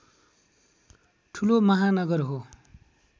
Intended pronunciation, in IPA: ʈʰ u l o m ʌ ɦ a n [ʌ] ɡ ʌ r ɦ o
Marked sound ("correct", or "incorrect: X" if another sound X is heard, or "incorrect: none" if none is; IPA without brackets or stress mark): correct